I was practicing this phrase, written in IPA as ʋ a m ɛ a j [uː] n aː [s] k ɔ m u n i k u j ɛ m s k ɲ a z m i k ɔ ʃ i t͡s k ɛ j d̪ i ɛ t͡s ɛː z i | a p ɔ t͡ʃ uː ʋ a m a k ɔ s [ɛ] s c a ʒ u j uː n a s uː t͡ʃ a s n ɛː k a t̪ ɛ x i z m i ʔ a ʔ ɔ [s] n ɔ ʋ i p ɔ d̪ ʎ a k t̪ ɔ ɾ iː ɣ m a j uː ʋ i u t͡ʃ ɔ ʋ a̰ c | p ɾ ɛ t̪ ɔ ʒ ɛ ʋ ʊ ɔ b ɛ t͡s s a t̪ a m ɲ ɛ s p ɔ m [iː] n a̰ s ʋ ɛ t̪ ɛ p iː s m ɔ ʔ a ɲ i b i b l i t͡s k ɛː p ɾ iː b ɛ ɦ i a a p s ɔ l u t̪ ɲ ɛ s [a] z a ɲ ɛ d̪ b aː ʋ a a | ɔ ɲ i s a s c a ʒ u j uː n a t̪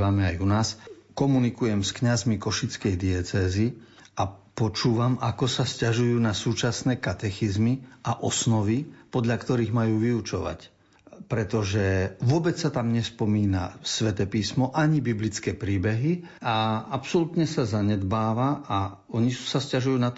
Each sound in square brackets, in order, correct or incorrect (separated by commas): incorrect, correct, incorrect, correct, correct, correct